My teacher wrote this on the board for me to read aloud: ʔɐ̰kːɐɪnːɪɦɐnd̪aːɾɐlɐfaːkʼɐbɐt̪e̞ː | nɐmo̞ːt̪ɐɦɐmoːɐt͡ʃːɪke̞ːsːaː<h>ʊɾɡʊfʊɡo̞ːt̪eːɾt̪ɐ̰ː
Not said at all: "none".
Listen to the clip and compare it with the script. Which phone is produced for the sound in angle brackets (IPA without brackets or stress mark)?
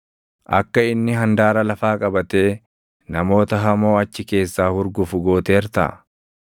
h